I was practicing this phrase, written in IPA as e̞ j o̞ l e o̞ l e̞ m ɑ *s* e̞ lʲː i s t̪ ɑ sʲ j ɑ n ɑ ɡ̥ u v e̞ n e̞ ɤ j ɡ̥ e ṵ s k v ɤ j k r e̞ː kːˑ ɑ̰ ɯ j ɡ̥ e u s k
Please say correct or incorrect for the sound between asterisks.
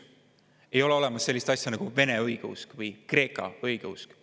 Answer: incorrect